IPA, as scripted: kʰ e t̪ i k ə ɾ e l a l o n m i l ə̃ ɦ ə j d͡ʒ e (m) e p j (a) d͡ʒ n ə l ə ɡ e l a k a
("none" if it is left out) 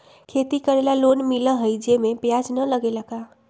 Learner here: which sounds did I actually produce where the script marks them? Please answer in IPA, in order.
m, a

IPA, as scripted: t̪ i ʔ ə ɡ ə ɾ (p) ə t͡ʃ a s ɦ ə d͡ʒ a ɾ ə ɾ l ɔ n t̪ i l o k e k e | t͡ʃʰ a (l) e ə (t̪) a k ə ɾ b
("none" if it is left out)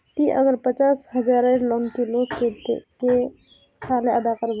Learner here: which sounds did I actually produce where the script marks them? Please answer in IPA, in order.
p, l, d̪

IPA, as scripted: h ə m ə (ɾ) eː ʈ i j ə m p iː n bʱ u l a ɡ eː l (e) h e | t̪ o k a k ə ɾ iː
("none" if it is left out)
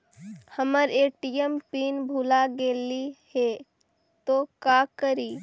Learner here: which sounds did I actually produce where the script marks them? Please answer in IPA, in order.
ɾ, i

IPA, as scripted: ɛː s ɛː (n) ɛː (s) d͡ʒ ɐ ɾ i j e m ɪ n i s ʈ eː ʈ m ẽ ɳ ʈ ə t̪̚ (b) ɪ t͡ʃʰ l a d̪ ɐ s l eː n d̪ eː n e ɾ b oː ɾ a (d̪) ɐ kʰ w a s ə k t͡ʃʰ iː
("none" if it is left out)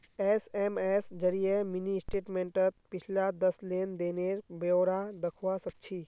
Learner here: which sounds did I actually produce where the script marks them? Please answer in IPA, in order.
m, s, p, d̪

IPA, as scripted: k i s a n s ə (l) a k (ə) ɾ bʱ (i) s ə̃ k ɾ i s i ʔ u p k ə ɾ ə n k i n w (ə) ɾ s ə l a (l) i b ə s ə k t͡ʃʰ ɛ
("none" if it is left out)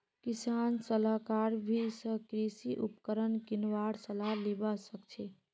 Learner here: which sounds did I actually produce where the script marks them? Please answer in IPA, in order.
l, a, i, a, l

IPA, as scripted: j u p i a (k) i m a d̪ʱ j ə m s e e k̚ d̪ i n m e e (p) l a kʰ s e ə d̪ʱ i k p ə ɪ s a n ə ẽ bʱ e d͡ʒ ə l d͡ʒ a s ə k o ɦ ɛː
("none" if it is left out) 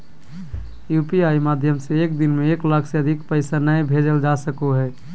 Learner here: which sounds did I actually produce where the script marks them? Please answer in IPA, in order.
none, k

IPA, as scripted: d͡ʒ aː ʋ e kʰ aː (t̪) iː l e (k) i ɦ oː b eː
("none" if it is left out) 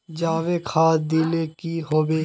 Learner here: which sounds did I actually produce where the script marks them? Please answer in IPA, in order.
d̪, k

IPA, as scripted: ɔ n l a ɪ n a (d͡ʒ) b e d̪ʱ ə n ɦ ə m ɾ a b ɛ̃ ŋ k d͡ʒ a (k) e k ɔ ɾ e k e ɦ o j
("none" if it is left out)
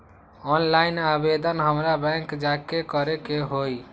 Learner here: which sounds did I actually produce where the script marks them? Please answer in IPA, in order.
none, k

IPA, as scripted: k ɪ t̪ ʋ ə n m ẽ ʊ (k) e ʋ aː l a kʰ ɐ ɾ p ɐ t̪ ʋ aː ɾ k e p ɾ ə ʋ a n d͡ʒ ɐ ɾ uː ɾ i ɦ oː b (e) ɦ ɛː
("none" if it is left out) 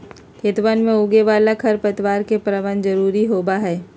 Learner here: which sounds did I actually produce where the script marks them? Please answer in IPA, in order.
ɡ, a

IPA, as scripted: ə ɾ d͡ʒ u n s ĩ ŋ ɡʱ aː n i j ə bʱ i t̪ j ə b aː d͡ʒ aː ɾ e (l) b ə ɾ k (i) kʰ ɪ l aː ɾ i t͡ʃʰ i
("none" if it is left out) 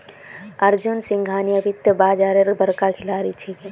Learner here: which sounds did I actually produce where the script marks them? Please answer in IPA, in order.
ɾ, a

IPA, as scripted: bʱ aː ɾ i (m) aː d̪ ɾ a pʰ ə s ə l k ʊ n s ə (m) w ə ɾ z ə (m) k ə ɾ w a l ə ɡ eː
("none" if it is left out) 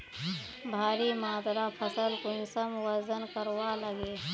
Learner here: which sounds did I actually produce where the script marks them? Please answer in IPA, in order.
m, m, n

